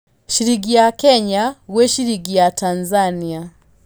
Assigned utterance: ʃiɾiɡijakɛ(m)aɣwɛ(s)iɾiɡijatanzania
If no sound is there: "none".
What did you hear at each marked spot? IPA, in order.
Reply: ɲ, ʃ

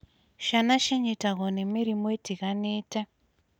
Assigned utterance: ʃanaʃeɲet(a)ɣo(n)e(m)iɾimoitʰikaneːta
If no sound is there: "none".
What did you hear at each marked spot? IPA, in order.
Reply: a, n, m

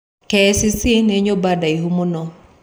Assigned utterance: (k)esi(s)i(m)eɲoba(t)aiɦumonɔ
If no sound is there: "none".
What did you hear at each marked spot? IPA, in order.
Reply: k, s, n, d

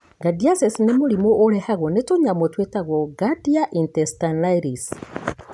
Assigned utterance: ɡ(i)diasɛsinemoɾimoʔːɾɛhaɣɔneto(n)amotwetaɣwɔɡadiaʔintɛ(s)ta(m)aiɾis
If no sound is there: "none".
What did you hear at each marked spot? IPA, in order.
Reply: a, ɲ, s, n

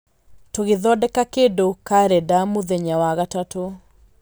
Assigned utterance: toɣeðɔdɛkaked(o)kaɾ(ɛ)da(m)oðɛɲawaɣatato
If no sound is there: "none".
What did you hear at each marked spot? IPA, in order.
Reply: o, ɛ, m

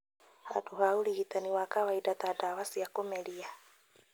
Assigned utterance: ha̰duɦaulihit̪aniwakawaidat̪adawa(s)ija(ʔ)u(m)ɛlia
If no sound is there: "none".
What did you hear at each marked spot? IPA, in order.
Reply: s, k, m

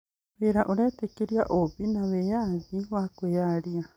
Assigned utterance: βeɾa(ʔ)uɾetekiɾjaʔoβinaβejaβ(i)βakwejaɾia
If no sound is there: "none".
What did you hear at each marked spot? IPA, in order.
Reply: ʔ, i

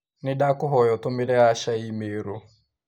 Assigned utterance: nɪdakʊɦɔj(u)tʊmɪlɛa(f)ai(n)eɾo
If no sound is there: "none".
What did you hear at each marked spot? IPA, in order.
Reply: ɔ, ʃ, m

